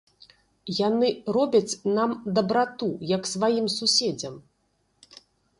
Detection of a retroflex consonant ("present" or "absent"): absent